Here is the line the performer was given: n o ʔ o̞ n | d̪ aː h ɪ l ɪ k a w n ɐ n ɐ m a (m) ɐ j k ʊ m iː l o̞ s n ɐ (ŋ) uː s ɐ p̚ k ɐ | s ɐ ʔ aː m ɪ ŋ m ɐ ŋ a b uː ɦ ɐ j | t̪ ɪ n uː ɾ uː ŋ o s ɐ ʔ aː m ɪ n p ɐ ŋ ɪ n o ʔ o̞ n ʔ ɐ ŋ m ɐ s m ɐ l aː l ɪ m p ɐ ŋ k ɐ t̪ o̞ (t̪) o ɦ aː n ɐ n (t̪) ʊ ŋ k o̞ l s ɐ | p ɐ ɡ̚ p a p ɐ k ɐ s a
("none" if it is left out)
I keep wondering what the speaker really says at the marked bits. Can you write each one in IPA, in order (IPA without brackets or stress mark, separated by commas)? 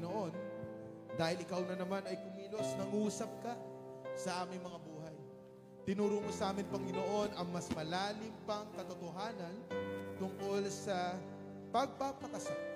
n, ŋ, t̪, t̪